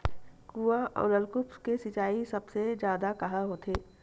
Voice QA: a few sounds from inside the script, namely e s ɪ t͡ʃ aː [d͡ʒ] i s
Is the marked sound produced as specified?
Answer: no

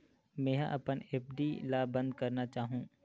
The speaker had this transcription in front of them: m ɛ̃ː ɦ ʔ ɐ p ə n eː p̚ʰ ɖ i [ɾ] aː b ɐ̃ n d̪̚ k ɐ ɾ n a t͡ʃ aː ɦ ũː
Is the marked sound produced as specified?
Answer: no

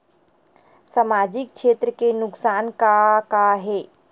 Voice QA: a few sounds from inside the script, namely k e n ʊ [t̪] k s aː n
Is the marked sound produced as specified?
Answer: no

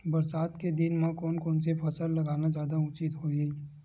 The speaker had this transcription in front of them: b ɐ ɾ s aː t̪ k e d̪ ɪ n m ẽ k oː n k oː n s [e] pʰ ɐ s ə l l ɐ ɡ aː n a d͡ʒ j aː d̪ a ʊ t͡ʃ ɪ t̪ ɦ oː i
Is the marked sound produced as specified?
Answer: yes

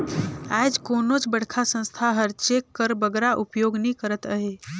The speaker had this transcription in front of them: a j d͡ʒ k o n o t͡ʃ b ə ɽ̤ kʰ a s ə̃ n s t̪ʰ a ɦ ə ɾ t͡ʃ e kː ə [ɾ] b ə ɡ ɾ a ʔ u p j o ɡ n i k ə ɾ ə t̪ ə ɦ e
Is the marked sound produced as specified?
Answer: yes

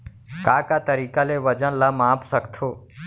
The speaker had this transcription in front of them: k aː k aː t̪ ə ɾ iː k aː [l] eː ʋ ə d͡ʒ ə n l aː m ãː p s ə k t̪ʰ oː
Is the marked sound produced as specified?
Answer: yes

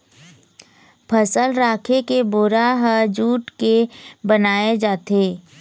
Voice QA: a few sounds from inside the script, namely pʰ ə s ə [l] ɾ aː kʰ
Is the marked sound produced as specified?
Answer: yes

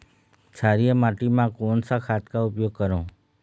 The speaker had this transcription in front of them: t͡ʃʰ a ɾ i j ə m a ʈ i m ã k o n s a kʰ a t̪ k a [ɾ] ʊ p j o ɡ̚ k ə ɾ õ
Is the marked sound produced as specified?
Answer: no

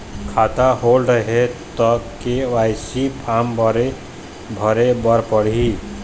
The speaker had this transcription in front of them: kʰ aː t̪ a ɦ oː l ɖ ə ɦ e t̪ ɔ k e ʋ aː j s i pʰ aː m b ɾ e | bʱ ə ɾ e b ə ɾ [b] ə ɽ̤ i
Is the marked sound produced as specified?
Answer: no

